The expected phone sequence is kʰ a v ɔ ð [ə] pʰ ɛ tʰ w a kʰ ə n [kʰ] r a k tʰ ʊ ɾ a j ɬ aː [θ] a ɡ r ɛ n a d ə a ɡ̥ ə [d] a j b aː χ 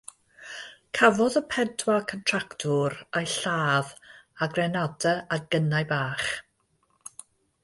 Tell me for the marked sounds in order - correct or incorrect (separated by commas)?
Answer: correct, incorrect, incorrect, incorrect